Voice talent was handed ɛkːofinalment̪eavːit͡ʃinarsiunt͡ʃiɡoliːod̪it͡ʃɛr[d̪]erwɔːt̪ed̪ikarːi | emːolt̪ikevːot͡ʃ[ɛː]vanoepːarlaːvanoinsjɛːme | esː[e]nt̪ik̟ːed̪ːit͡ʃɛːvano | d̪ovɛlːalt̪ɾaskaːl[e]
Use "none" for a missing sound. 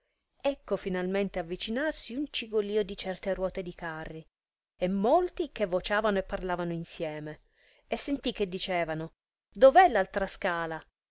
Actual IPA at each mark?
t̪, aː, e, a

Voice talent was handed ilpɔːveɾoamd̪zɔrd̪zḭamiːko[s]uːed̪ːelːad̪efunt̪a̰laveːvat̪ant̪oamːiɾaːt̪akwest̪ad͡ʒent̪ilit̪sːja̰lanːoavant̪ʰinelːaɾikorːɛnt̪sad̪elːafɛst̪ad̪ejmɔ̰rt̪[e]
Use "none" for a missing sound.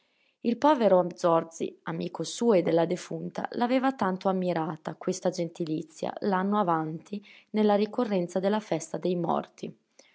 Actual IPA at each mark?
s, i

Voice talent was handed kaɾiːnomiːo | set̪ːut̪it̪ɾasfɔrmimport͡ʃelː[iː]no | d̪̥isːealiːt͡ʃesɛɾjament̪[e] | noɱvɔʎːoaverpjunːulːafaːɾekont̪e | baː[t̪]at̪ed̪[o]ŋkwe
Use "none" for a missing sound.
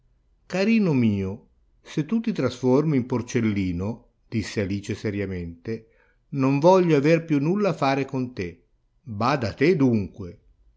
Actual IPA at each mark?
iː, e, d̪, u

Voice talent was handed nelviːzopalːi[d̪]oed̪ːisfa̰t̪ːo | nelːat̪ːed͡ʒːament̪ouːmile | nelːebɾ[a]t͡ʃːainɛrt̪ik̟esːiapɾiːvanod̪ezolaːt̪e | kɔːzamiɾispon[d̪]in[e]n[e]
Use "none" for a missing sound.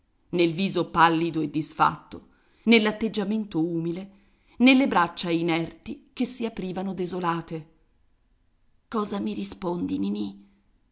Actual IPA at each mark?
d̪, a, d̪, i, i

